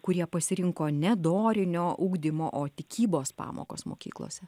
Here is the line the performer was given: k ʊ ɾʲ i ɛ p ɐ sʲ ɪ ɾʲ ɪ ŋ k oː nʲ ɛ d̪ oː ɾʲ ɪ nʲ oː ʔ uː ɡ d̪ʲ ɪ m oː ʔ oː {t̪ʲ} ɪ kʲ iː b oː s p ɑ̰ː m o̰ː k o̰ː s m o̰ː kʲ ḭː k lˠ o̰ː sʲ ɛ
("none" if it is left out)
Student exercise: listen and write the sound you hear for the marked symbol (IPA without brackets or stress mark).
t̪ʲ